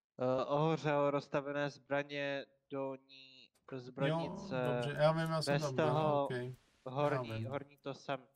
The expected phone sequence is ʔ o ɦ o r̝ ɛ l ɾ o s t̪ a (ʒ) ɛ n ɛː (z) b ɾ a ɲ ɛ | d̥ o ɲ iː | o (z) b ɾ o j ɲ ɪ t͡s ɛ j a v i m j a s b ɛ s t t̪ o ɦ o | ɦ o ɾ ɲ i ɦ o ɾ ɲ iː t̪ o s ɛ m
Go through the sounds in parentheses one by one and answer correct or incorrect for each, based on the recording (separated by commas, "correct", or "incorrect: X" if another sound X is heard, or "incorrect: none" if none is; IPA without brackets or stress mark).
incorrect: v, correct, correct